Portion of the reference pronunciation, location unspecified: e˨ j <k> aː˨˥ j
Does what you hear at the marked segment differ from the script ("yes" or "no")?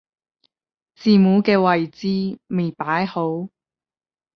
yes